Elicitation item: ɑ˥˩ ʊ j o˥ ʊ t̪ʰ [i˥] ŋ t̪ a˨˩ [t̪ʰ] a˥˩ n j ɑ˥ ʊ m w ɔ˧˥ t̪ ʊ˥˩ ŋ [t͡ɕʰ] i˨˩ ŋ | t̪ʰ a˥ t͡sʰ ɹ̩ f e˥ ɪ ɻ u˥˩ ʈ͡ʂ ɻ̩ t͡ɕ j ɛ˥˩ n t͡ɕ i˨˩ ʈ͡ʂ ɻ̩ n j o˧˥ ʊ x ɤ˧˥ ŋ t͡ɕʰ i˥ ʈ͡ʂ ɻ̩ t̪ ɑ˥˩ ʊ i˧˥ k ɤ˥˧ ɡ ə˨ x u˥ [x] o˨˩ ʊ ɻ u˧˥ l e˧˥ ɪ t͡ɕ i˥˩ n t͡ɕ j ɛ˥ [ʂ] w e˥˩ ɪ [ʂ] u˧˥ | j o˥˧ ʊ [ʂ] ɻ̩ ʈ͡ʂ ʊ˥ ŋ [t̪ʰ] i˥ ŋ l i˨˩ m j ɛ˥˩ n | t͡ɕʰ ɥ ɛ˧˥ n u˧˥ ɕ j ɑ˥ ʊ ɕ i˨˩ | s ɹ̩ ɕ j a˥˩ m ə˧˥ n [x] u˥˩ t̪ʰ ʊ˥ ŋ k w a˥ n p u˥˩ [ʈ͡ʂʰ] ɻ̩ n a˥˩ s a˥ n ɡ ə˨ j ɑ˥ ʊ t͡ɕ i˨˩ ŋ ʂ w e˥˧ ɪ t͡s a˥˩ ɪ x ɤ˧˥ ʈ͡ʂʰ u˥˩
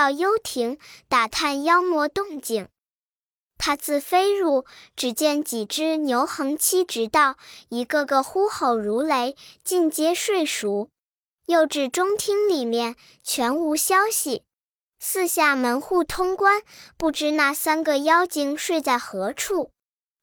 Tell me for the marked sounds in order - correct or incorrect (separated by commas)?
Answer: incorrect, correct, incorrect, correct, correct, correct, incorrect, correct, correct, incorrect